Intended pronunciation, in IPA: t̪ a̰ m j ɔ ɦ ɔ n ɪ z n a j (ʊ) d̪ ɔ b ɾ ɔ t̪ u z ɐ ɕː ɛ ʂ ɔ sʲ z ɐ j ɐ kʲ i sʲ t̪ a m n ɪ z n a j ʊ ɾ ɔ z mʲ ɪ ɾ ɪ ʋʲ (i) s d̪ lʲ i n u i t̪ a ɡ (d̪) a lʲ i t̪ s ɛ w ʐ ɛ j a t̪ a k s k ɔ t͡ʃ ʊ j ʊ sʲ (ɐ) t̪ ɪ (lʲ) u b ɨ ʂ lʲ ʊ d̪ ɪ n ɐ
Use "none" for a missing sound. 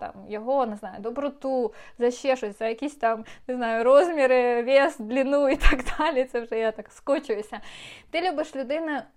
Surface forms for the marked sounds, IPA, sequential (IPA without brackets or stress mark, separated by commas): ʊ, e, d̪, ɐ, lʲ